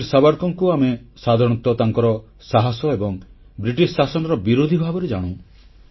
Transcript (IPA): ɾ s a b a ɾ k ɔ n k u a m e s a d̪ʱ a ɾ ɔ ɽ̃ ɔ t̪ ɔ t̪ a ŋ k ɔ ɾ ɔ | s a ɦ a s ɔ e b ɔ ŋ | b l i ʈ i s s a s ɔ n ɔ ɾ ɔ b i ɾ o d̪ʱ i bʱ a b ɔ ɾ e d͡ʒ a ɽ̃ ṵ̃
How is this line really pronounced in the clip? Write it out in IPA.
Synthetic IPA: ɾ s a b a ɾ k ɔ ŋ k u a m e s a d̪ʱ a ɾ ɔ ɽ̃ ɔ t̪ ɔ t̪ a ŋ k ɔ ɾ ɔ | s a ɦ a s ɔ e b ɔ ŋ | b ɾ i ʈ i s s a s ɔ n ɔ ɾ ɔ b i ɾ o d̪ʱ i bʱ a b ɔ ɾ e d͡ʒ a ɽ̃ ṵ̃